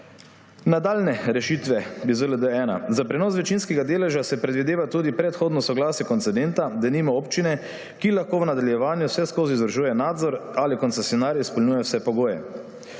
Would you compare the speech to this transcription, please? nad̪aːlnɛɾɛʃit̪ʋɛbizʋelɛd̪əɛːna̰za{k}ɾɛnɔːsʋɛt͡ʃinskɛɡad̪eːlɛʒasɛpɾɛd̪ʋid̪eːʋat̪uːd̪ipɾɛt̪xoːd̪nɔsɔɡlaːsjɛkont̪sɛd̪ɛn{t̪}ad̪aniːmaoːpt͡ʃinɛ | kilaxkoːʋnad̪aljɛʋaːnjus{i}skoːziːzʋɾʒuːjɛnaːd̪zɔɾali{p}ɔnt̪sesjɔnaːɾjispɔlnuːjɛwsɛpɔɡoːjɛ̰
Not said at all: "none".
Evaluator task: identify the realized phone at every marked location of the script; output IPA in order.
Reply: p, t̪, ɛ, k

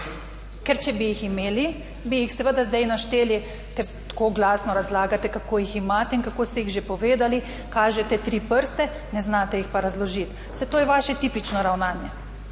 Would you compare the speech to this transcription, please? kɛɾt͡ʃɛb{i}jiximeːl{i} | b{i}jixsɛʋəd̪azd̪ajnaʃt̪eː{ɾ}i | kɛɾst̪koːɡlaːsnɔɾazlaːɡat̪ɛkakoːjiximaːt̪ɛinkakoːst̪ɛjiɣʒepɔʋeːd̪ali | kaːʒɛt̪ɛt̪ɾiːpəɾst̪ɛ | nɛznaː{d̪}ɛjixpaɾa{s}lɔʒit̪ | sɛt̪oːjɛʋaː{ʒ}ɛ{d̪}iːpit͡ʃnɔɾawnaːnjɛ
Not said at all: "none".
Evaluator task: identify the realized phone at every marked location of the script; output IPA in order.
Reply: i, i, i, l, t̪, z, ʃ, t̪

